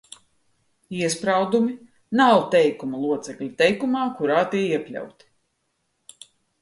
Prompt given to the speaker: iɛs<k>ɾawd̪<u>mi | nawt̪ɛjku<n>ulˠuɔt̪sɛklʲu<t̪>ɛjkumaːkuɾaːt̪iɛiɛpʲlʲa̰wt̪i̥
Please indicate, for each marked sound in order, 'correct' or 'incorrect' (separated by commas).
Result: incorrect, correct, incorrect, correct